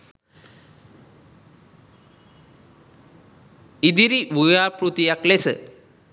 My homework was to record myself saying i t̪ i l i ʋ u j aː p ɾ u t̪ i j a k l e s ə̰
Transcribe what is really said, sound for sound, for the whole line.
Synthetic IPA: i d̪ i ɾ i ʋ u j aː p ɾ u t̪ i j a k l e s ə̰